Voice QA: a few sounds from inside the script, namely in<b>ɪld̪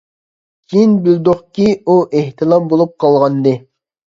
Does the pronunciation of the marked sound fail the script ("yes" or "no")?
no